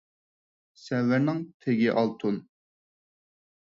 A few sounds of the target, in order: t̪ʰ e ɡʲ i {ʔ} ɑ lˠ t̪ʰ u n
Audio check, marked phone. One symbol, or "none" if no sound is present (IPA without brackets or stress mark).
ʔ